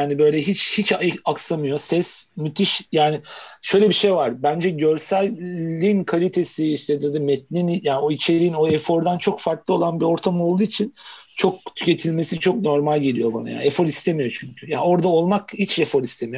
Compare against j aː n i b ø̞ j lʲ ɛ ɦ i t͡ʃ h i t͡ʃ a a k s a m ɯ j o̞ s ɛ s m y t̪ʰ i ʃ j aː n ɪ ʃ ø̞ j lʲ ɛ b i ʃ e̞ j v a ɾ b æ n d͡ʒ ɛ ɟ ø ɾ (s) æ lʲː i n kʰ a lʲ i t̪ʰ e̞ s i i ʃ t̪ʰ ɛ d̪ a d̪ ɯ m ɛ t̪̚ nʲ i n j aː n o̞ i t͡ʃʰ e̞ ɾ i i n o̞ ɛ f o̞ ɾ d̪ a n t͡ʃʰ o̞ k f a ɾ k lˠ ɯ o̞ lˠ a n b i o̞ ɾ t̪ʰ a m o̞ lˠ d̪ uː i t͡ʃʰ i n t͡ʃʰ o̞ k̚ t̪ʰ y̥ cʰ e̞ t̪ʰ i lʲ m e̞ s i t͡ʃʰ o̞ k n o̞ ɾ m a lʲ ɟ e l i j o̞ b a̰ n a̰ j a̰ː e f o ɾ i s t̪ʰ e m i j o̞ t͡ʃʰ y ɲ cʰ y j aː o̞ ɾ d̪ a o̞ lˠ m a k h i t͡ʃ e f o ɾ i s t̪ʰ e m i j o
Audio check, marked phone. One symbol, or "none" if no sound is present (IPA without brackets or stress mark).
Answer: s